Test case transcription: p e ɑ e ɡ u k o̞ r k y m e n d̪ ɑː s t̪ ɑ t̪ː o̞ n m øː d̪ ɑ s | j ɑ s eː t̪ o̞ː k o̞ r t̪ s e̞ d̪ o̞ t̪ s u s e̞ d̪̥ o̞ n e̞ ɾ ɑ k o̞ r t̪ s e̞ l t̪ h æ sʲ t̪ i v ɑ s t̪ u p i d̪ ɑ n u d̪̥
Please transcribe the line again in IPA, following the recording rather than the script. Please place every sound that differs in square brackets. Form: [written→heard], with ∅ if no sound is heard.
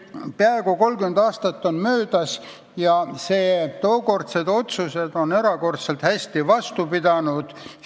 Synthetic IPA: p e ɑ e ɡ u k o̞ [r→l] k y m e n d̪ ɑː s t̪ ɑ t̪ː o̞ n m øː d̪ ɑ s | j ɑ s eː t̪ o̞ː k o̞ r t̪ s e̞ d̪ o̞ t̪ s u s e̞ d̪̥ o̞ n e̞ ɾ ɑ k o̞ r t̪ s e̞ l t̪ h æ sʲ t̪ i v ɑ s t̪ u p i d̪ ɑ n u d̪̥